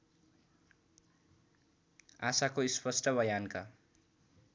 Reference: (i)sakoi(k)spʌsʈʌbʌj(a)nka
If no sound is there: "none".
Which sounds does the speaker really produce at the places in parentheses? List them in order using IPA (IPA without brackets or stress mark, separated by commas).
a, none, a